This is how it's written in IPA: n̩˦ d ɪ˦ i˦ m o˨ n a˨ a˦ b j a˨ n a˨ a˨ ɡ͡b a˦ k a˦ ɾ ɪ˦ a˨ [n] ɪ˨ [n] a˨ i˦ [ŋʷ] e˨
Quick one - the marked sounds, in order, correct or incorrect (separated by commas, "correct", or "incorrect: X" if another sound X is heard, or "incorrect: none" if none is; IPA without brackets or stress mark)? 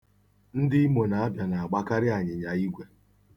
incorrect: ɲ, incorrect: ɲ, incorrect: ɡʷ